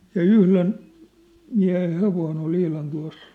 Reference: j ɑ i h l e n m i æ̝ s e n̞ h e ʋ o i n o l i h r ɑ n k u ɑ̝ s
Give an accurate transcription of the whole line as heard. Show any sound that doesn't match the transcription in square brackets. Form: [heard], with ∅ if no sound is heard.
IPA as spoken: j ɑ [y] h l e n m i æ̝ [h] e n̞ h e ʋ o i n o l i h [l] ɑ n [t] u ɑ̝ s